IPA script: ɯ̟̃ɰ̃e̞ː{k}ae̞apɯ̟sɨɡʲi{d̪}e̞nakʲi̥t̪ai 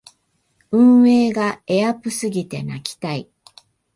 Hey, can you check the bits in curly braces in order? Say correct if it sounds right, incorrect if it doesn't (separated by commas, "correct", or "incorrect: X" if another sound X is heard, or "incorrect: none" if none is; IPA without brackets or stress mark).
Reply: incorrect: ɡ, incorrect: t̪